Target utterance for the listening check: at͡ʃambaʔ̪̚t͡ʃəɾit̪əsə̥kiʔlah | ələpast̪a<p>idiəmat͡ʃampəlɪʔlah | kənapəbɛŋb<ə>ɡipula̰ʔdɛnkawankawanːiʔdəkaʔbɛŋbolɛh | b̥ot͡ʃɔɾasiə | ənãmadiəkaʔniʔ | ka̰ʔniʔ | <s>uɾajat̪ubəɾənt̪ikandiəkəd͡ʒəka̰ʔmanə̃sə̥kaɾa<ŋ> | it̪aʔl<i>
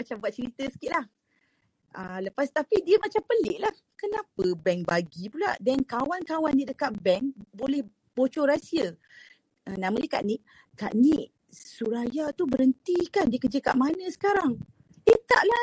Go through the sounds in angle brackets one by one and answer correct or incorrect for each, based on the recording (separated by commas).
correct, incorrect, correct, correct, incorrect